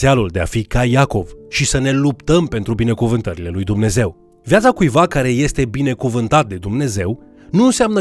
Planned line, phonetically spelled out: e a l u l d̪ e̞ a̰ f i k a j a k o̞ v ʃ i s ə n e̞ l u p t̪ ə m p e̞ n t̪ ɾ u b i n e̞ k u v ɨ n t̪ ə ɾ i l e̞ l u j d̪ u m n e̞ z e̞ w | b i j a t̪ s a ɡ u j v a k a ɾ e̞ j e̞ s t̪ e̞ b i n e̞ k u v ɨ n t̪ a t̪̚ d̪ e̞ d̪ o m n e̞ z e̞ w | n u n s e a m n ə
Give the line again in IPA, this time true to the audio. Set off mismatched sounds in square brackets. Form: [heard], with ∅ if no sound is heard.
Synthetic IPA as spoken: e a l u l d̪ e̞ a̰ f i k a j a k o̞ v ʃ i s ə n e̞ l u p t̪ ə m p e̞ n t̪ ɾ u b i n e̞ k u v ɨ n t̪ ə ɾ i l e̞ l u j d̪ u m n e̞ z e̞ w | [v] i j a t̪ s a [k] u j v a k a ɾ e̞ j e̞ s t̪ e̞ b i n e̞ k u v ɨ n t̪ a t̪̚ d̪ e̞ d̪ [u] m n e̞ z e̞ w | n u n s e a m n ə